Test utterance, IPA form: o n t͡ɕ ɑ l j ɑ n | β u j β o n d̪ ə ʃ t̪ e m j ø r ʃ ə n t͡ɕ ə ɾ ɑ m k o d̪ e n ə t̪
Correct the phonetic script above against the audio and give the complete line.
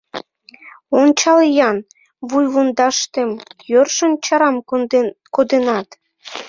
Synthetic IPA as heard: o n t͡ɕ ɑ l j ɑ n | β u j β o n d̪ ɑ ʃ t̪ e m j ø r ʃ ə n t͡ɕ ɑ ɾ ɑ m k o d̪ e n ɑ t̪